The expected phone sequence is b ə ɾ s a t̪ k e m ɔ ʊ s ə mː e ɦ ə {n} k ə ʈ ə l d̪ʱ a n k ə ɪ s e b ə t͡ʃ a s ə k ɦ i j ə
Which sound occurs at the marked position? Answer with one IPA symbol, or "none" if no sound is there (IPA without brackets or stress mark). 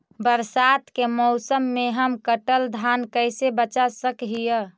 m